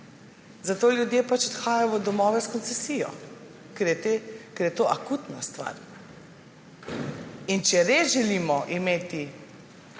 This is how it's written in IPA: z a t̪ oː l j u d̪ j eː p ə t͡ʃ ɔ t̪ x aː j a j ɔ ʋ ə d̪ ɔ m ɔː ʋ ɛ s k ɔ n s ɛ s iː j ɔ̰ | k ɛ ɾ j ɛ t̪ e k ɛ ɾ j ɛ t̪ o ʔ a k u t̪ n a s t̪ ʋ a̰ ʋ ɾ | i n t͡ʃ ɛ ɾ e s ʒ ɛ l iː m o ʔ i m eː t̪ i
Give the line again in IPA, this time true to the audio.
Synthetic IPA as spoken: z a t̪ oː l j u d̪ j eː p a t͡ʃ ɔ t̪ x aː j a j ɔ ʋ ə d̪ ɔ m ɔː ʋ ɛ s k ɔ n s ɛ s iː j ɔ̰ | k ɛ ɾ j ɛ t̪ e k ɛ ɾ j ɛ t̪ o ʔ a k u t̪ n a s t̪ ʋ a̰ ɾ | i n t͡ʃ ɛ ɾ e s ʒ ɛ l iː m ɔ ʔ i m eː t̪ i